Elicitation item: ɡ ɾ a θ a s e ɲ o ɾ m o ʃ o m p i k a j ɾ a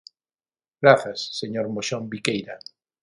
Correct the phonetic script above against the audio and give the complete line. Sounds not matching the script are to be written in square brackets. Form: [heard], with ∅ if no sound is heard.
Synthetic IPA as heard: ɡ ɾ a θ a [sː] e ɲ o ɾ m o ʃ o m [b] i k [e] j ɾ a

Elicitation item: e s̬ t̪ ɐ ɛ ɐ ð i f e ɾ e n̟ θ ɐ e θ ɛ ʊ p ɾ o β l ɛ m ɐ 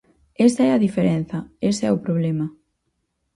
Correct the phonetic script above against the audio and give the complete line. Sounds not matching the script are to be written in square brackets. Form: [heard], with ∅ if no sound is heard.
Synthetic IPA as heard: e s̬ t̪ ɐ ɛ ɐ ð i f e ɾ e n̟ θ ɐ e [s] ɛ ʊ p ɾ o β l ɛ m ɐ

